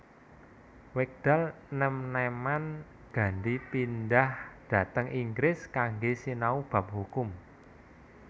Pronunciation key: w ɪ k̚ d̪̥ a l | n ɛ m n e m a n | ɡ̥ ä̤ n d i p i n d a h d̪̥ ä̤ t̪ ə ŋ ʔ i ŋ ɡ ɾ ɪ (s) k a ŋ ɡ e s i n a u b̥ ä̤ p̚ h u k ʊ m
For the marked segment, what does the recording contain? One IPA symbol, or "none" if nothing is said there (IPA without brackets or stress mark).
s